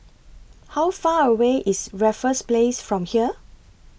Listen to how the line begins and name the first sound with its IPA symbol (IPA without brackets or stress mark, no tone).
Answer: h